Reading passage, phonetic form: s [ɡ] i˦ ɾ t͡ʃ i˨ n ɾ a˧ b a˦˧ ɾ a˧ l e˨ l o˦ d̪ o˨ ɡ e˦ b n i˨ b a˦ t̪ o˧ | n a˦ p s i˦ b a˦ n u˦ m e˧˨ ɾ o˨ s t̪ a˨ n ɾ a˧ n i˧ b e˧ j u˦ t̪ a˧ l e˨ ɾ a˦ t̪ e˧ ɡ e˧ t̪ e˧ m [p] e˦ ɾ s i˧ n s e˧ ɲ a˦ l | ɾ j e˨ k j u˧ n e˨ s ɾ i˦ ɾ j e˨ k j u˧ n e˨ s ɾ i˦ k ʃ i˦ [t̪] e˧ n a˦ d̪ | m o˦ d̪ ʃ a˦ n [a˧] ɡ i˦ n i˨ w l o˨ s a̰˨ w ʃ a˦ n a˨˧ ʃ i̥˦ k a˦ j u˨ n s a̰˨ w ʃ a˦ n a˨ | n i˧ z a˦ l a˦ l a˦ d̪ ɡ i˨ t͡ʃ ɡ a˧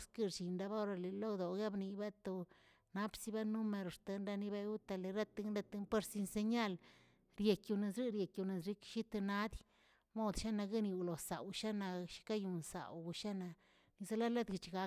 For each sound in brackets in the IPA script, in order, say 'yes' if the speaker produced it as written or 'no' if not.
no, yes, yes, yes

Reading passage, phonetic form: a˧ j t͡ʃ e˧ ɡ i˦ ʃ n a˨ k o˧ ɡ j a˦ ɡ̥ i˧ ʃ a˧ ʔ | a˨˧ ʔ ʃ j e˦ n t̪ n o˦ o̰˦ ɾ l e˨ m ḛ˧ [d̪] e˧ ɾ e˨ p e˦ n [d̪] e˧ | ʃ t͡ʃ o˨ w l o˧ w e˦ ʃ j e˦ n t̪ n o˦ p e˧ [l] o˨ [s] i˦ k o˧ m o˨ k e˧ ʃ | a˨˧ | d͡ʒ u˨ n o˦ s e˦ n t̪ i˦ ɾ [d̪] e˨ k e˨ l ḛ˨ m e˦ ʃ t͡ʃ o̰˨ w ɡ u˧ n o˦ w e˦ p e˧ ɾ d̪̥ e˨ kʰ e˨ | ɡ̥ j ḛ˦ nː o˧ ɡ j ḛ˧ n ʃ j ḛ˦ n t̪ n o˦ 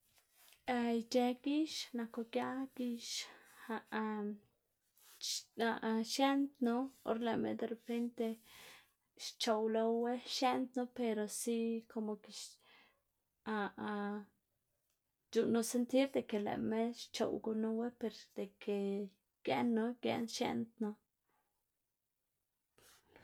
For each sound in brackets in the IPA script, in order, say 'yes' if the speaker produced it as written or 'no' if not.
yes, no, no, yes, yes

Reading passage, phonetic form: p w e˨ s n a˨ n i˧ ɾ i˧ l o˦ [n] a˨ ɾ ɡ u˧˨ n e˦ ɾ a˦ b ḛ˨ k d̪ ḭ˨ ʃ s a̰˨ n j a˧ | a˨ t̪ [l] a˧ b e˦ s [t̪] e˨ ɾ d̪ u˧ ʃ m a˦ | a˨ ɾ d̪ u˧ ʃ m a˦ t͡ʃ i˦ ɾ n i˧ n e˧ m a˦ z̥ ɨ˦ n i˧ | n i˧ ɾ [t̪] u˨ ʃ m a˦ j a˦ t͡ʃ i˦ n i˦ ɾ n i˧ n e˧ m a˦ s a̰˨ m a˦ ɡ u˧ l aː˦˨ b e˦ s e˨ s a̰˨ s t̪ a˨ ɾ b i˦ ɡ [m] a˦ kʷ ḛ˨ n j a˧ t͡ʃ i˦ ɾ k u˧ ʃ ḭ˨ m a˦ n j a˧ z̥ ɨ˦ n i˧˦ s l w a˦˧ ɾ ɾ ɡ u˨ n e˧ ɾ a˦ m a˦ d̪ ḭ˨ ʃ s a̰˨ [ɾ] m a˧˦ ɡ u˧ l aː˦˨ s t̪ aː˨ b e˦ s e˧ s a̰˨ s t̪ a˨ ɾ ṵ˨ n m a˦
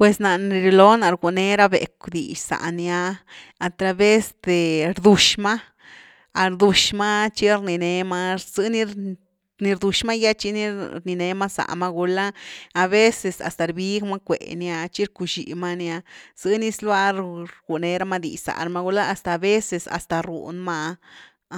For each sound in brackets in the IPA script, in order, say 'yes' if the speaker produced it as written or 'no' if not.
yes, no, no, no, yes, yes

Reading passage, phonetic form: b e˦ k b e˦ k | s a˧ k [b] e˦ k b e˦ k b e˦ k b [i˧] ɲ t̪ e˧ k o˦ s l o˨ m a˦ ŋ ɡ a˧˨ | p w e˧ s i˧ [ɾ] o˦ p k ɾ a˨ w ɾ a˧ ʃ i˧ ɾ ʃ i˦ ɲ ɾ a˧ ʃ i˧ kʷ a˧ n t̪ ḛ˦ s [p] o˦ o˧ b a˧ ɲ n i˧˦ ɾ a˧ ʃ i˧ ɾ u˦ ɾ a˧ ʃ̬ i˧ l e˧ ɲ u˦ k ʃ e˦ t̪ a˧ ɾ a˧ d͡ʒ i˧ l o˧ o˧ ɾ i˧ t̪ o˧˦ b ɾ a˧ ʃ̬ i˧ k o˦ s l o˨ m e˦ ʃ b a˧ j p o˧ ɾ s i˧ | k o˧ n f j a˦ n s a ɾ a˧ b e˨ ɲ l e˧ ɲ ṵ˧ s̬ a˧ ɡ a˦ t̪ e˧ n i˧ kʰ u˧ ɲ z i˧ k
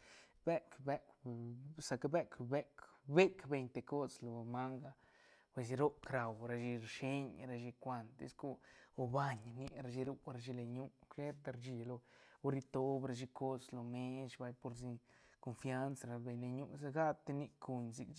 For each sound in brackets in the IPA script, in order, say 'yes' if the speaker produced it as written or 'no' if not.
yes, no, yes, no

